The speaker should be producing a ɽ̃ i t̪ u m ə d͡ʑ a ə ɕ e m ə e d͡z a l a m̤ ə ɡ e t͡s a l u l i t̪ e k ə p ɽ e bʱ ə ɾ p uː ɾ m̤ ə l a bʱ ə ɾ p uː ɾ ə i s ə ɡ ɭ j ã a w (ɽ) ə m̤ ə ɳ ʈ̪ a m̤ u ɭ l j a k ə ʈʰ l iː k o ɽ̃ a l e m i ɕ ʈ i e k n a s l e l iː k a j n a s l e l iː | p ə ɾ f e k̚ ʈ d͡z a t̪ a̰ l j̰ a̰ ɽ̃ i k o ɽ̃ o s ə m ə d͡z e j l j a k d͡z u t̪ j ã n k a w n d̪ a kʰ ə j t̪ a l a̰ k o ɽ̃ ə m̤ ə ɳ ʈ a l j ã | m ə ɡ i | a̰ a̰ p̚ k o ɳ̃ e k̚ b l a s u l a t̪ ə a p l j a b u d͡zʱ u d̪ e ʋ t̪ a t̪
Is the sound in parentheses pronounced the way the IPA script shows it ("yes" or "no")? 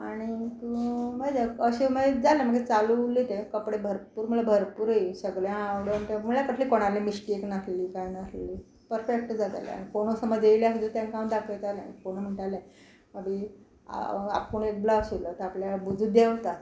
yes